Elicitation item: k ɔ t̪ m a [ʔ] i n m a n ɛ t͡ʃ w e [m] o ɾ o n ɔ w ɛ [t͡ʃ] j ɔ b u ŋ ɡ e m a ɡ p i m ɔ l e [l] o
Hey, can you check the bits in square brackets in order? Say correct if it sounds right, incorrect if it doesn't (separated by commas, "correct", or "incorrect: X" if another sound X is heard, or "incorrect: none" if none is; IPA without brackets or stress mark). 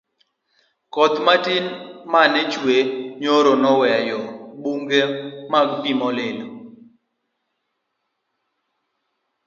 incorrect: t, incorrect: ɲ, incorrect: none, correct